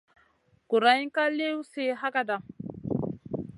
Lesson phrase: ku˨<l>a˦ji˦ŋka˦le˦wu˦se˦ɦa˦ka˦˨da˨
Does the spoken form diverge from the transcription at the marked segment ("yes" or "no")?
yes